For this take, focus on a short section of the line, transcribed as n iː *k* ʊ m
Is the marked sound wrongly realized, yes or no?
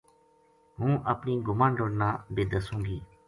yes